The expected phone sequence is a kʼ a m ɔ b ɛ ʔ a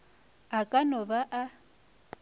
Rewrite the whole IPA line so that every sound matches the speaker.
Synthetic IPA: a kʼ a n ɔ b a ʔ a